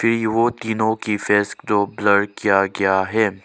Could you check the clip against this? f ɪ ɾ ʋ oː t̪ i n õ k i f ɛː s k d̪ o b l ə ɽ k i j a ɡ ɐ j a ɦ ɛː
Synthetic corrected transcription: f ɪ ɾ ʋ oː t̪ iː n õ k i f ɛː s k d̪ o b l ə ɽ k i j a ɡ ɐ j a ɦ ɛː